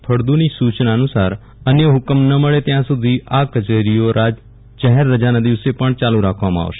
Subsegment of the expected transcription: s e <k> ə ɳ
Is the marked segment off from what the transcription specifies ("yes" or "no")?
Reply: yes